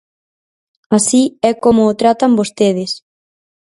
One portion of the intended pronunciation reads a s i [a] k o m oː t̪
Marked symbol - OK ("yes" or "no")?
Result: no